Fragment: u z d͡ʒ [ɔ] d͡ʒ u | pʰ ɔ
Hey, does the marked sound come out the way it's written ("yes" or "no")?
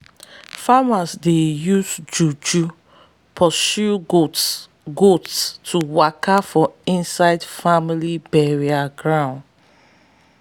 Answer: no